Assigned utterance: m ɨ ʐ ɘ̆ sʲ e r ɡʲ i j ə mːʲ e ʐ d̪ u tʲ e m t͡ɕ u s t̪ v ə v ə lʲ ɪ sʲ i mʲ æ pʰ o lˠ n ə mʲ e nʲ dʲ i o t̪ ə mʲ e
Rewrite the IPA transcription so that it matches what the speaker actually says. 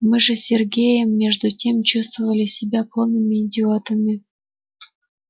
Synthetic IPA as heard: m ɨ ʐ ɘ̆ sʲ e r ɡʲ e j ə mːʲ e ʐ d̪ u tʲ e m t͡ɕ u s t̪ v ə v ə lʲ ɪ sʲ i bʲ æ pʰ o lˠ n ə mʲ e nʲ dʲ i o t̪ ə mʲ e